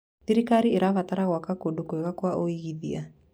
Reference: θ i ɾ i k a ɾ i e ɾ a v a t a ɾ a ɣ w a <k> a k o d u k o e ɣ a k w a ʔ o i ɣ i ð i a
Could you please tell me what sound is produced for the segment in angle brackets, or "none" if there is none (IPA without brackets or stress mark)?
k